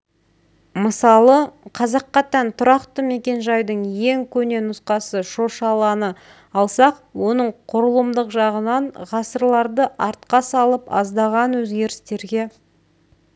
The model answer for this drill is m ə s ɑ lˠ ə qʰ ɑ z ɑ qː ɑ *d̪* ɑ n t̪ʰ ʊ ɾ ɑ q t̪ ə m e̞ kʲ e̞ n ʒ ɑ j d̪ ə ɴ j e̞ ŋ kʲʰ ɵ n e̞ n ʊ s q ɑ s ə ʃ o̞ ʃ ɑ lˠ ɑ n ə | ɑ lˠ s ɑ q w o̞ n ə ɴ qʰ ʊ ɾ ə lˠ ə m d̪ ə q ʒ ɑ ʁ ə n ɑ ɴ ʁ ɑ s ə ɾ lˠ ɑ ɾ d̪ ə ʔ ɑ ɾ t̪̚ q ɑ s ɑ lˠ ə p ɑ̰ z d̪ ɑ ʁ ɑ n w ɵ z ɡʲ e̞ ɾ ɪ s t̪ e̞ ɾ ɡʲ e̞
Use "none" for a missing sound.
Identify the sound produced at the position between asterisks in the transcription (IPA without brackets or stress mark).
t̪